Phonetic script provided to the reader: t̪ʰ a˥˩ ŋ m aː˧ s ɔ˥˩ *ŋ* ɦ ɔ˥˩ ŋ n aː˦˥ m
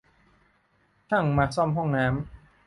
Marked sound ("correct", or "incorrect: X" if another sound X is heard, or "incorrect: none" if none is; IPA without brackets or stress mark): incorrect: m